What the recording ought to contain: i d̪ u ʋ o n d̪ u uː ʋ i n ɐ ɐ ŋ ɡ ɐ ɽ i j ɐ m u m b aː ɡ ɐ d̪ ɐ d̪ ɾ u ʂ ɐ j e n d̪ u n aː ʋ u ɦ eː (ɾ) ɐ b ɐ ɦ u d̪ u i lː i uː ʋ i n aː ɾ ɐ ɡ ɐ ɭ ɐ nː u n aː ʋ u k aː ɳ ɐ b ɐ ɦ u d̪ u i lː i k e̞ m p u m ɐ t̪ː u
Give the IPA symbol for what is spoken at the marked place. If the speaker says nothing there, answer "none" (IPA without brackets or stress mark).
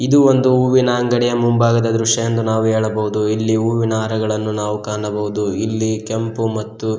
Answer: ɭ